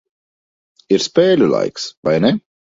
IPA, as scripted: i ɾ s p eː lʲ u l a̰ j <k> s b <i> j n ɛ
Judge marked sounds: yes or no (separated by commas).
yes, no